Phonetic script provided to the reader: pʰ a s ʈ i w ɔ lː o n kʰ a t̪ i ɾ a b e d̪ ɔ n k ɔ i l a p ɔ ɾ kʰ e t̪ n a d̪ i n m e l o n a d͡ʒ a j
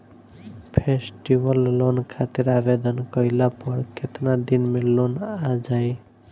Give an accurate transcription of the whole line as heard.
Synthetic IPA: pʰ e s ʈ i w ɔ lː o n kʰ a t̪ i ɾ a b e d̪ ɔ n k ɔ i l a p ɔ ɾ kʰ e t̪ n a d̪ i n m e l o n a d͡ʒ a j